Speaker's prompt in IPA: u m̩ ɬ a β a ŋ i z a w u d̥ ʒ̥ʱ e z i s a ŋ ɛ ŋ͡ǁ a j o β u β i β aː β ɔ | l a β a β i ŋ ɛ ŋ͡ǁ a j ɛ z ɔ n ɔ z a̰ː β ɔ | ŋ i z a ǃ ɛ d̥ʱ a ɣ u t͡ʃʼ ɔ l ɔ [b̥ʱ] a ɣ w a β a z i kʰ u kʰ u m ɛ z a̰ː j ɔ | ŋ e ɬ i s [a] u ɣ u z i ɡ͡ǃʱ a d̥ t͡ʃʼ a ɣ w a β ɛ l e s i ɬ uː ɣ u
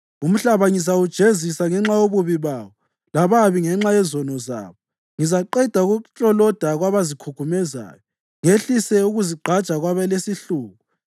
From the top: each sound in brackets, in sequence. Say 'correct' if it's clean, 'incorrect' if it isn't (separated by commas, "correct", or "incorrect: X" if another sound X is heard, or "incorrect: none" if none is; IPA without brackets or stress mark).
incorrect: d̥ʱ, incorrect: ɛ